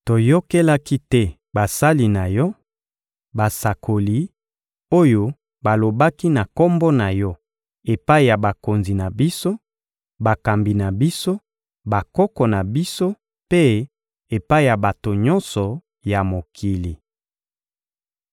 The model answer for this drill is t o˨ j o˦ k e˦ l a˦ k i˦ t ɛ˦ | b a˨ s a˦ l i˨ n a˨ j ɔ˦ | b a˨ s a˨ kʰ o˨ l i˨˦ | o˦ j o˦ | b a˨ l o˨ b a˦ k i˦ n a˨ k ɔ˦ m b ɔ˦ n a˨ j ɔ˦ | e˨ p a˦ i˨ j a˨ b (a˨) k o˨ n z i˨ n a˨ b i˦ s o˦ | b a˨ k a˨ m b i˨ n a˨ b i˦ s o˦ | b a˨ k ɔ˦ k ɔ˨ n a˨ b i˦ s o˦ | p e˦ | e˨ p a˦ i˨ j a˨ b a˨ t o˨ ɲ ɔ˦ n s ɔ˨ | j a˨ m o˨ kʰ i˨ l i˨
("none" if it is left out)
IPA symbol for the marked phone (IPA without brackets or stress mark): a˨